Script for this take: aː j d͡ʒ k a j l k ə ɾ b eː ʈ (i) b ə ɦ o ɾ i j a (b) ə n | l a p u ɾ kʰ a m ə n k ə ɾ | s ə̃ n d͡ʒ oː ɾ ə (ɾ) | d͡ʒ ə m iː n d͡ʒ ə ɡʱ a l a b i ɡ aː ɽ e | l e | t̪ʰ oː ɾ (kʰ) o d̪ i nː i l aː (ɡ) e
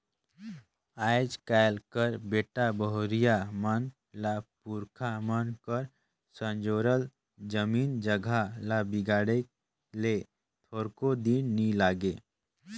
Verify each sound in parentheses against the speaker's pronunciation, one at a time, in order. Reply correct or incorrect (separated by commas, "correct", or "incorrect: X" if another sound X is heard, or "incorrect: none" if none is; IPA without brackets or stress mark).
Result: incorrect: a, incorrect: m, incorrect: l, incorrect: k, correct